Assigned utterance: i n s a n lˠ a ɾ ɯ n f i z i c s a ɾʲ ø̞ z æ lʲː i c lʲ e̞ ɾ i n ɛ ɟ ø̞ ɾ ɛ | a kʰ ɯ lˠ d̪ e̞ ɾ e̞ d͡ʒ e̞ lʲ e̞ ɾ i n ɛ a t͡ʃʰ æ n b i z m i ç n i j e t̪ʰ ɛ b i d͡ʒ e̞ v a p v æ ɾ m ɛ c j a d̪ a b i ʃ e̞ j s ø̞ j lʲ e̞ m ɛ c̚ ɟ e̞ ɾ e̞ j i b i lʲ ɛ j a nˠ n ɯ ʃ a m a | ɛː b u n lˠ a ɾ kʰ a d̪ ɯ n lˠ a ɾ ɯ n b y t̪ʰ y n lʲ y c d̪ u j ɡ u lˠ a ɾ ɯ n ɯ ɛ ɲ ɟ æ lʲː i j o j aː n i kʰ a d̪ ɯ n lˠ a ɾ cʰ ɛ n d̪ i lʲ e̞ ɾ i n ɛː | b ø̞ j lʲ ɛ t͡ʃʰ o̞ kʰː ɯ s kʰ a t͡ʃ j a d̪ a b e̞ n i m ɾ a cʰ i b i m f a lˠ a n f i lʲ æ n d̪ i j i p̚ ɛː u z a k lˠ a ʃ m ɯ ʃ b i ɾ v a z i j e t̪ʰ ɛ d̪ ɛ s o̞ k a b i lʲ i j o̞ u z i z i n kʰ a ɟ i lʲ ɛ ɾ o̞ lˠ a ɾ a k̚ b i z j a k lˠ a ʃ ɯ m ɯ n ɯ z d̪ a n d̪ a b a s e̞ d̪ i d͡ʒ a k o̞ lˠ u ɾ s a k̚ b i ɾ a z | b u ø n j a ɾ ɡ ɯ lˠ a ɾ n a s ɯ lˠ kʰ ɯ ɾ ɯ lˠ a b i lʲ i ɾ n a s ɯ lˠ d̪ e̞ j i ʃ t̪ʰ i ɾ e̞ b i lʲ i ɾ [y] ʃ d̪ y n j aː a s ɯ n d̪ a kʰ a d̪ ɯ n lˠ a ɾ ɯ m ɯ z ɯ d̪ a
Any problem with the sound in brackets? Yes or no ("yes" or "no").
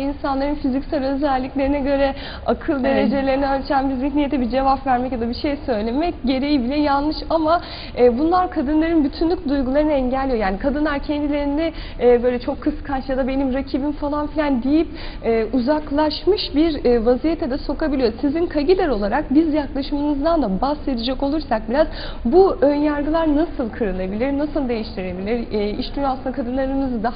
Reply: yes